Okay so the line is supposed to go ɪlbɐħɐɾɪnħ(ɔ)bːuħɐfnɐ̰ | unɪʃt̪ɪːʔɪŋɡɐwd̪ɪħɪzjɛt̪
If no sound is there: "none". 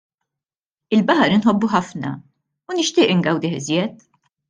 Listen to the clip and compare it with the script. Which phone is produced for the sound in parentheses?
ɔ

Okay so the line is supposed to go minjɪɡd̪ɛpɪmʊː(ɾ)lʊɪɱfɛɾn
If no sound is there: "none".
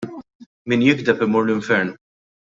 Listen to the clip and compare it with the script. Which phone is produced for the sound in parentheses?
ɾ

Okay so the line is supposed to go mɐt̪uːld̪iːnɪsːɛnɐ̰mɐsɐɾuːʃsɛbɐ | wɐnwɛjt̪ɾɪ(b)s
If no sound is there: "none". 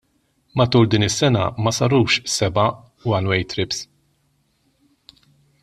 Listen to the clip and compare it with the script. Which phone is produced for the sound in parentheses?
p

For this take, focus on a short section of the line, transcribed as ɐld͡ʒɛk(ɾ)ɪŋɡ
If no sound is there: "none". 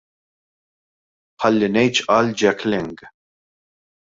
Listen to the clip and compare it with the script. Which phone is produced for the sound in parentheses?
l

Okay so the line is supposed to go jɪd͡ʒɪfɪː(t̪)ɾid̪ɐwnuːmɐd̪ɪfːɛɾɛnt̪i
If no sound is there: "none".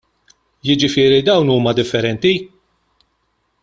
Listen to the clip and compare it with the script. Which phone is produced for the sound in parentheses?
none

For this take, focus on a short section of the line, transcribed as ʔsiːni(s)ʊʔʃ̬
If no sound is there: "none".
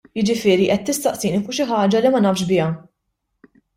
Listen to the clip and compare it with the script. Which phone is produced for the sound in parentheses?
f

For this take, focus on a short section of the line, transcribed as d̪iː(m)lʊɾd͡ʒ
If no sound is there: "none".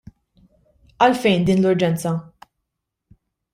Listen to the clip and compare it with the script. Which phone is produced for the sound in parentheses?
n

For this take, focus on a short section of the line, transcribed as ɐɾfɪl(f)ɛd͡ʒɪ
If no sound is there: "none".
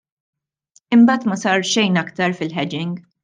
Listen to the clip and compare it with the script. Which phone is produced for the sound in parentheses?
ħ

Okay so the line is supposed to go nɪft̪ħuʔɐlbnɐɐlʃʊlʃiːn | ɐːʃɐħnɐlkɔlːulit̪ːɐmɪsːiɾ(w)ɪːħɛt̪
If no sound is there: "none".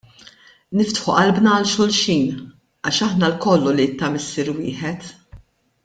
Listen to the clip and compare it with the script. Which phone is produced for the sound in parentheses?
w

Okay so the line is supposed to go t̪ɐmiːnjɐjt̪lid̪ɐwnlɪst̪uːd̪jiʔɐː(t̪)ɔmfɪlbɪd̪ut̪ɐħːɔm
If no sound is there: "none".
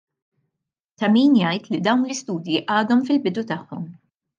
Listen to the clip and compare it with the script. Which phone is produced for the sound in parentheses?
d̪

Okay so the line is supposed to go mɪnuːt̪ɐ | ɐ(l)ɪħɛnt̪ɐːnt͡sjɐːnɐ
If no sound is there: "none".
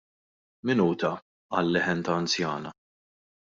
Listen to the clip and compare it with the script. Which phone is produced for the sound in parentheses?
lː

